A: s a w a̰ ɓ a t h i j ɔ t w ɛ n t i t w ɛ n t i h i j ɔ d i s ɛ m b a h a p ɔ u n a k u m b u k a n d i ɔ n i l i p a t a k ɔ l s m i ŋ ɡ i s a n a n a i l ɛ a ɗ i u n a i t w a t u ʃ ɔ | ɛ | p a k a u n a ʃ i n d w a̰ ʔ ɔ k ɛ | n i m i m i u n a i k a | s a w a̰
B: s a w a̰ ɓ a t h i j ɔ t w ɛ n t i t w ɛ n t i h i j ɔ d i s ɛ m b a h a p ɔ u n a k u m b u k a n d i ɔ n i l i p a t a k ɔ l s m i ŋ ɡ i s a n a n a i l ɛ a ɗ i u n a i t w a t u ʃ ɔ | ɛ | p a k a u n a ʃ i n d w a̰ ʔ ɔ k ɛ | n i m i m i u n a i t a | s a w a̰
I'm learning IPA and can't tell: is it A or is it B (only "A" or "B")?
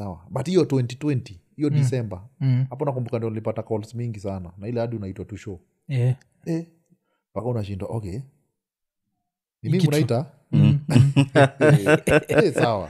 B